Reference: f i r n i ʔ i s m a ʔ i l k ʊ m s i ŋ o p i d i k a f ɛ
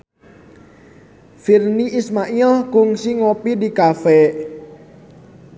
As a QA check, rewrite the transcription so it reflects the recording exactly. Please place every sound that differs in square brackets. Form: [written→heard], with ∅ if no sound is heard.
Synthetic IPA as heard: f i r n i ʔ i s m a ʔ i l k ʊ [m→ŋ] s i ŋ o p i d i k a f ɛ